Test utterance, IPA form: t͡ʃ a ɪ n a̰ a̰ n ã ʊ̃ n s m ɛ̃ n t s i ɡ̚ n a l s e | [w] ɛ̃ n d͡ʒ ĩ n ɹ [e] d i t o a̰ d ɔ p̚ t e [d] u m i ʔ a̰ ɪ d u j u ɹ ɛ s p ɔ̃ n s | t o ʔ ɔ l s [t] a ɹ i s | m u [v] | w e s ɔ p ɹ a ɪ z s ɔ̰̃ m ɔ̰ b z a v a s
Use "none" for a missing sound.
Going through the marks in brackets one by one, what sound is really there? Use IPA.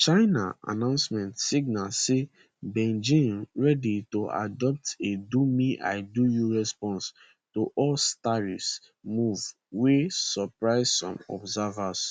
b, ɛ, d, t, v

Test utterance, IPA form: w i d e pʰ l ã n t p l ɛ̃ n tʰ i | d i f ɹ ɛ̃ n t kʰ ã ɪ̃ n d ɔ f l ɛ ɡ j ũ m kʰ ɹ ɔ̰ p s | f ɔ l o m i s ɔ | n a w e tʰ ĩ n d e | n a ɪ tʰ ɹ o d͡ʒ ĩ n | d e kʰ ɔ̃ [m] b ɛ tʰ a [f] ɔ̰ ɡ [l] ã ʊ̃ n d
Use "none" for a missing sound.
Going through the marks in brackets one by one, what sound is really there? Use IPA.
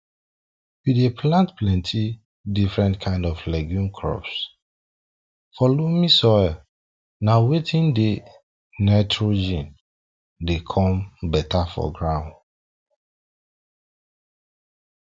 m, f, ɹ

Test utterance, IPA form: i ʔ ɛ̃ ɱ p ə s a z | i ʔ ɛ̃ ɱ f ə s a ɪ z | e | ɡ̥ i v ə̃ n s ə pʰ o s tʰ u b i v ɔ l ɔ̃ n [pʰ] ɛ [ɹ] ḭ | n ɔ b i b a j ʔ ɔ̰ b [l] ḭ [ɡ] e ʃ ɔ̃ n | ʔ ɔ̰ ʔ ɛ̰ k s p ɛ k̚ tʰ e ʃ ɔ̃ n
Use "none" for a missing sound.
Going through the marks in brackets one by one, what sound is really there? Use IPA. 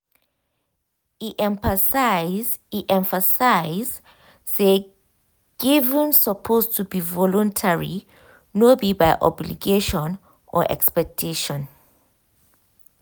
tʰ, ɹ, l, ɡ

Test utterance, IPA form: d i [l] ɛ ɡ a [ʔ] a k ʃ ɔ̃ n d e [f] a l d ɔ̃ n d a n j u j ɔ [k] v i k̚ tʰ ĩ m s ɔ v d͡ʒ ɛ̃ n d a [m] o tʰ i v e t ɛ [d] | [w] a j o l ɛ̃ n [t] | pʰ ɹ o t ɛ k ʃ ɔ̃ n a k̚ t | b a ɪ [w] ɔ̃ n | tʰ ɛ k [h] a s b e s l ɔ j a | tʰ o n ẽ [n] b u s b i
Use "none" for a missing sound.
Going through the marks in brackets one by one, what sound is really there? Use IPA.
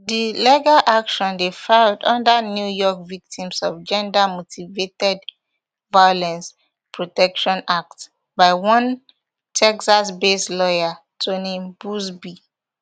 l, ʔ, f, k, m, d, v, s, w, s, m

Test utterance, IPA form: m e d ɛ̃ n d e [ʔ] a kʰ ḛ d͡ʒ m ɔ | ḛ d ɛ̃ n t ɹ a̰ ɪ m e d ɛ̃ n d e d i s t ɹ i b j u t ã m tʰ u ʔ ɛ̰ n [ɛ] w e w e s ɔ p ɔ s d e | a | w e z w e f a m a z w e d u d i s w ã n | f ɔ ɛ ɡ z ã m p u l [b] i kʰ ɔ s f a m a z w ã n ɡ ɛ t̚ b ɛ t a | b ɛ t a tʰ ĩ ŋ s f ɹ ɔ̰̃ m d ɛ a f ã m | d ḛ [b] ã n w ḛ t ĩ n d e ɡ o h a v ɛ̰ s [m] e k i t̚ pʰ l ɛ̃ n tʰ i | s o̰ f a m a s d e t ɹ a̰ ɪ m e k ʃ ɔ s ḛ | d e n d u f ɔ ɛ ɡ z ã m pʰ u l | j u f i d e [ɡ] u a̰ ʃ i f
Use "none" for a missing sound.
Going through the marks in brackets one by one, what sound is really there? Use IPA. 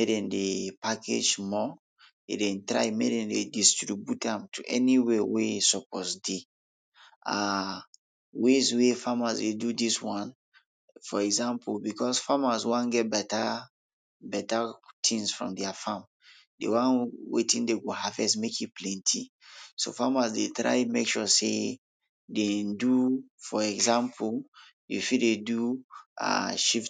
p, i, b, w, m, d

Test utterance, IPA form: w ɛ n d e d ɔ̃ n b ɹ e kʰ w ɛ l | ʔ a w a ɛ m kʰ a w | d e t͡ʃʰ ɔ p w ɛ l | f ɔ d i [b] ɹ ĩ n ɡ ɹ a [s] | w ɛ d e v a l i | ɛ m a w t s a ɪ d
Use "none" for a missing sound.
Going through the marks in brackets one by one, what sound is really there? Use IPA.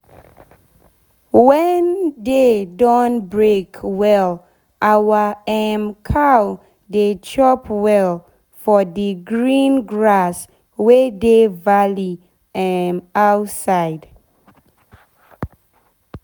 ɡ, s

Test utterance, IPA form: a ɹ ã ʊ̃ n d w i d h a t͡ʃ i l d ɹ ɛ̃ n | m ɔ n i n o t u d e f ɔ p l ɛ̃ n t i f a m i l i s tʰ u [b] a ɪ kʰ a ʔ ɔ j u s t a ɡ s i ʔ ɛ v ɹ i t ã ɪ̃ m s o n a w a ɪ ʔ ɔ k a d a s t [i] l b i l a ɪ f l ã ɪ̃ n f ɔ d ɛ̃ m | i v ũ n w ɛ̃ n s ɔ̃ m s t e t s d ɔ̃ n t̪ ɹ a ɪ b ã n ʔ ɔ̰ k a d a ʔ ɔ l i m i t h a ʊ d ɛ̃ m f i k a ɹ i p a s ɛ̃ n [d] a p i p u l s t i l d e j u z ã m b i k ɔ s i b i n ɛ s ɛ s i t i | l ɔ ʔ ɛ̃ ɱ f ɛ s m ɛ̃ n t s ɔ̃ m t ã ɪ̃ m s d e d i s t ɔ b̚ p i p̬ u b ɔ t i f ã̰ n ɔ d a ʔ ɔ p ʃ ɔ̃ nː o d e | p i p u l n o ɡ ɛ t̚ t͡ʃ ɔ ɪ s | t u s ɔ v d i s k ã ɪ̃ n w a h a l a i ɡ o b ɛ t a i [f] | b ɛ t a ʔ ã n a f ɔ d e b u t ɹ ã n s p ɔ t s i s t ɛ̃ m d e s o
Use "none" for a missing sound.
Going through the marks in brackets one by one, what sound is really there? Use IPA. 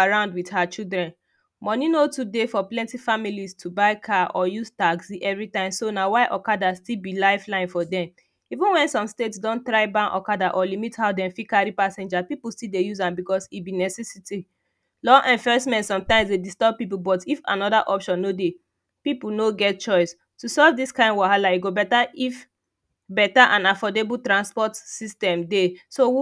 b, i, d͡ʒ, f

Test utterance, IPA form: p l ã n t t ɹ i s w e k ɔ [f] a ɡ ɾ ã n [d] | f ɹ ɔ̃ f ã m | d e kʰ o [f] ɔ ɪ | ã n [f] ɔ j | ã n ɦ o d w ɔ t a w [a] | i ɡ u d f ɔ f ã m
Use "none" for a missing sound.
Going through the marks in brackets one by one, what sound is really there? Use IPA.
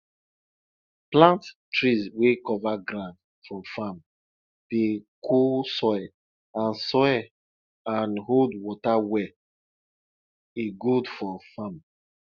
v, d, s, s, ɛ

